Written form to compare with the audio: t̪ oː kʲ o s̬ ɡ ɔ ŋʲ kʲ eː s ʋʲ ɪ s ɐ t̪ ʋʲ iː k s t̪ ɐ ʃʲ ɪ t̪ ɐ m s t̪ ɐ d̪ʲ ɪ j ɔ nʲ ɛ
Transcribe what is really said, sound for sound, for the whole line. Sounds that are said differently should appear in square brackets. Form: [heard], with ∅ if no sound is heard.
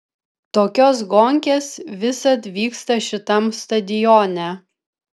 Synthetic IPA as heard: t̪ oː kʲ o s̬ ɡ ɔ ŋʲ kʲ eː s ʋʲ ɪ s ɐ t̪ ʋʲ iː k s t̪ ɐ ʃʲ ɪ t̪ ɐ m s t̪ ɐ d̪ʲ ɪ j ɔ nʲ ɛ